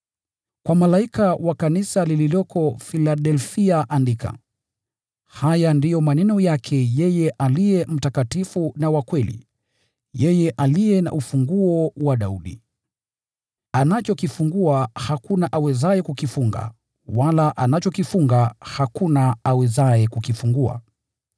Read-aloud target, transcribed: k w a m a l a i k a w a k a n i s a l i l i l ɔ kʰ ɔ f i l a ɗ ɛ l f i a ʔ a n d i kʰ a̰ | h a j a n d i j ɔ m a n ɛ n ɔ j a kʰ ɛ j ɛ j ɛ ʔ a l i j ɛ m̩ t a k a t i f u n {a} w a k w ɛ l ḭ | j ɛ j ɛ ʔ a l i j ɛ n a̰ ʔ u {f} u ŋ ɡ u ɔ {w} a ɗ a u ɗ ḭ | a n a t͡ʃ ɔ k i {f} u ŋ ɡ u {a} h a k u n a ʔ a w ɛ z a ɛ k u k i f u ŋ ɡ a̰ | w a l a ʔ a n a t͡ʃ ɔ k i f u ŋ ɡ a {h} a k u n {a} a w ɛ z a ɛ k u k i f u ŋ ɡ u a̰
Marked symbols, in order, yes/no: yes, yes, yes, yes, yes, yes, yes

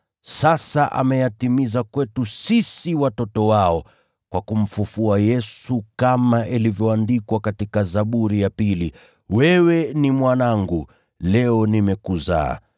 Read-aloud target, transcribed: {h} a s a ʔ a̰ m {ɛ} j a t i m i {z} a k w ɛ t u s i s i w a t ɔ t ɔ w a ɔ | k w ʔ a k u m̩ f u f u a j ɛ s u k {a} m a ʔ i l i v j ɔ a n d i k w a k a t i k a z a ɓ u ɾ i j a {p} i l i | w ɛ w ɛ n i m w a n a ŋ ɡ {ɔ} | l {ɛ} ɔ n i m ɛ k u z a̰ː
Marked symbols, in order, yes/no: no, yes, yes, yes, yes, no, yes

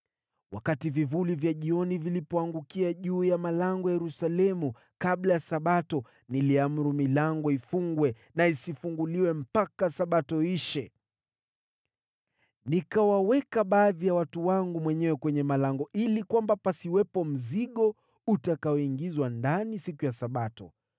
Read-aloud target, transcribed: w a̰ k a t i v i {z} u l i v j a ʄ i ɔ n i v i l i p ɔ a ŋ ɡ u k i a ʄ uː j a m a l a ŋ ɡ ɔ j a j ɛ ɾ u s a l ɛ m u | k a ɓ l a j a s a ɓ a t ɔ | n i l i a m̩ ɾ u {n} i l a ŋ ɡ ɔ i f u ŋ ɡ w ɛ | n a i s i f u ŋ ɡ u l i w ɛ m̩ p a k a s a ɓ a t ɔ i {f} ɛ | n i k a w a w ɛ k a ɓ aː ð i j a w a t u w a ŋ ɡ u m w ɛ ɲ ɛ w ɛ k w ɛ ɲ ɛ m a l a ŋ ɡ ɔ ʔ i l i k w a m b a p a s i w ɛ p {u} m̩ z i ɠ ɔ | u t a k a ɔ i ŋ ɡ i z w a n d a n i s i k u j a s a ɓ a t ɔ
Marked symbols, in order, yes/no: no, no, no, no

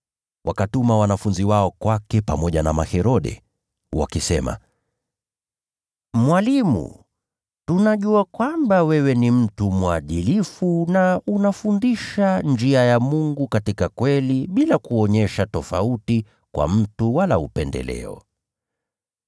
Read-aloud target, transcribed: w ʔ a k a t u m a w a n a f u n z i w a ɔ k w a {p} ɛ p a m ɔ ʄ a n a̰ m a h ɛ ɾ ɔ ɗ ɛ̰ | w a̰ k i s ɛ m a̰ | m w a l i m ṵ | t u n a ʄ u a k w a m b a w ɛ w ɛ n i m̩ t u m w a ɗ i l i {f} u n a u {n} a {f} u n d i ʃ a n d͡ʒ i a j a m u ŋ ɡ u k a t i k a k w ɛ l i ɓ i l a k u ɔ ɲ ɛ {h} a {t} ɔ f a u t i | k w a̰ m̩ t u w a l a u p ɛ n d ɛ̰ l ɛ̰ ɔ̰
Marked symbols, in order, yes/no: no, yes, yes, yes, no, yes

